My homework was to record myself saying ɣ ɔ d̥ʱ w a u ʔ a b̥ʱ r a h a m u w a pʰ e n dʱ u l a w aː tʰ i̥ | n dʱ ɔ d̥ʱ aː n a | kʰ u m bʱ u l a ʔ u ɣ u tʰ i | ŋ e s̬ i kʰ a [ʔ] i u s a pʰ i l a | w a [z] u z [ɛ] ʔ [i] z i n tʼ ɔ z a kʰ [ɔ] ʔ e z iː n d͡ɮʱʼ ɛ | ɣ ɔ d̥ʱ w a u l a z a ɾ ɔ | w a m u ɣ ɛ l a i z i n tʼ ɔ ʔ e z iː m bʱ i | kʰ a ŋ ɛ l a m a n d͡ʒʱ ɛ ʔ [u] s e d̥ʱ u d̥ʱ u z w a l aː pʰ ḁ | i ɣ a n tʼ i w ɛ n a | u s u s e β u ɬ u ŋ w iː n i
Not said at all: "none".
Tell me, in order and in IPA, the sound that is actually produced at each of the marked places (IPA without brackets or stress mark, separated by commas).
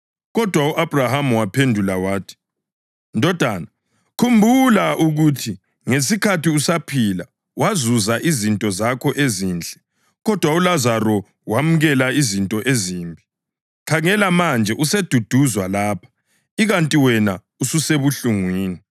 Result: t, z, a, i, ɔ, u